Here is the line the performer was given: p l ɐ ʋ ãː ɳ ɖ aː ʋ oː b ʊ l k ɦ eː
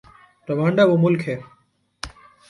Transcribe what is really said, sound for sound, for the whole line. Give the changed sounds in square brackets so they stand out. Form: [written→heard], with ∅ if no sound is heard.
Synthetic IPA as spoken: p [l→ɾ] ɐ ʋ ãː ɳ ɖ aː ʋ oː [b→m] ʊ l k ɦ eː